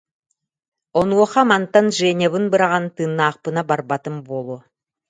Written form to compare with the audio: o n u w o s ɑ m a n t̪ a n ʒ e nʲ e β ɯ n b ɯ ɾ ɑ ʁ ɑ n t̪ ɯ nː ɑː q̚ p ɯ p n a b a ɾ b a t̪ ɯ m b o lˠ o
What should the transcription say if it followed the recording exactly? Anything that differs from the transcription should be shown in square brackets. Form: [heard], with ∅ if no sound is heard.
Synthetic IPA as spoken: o n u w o [χ] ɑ m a n t̪ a n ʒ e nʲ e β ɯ n b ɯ ɾ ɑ ʁ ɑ n t̪ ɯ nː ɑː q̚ p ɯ [∅] n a b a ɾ b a t̪ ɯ m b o lˠ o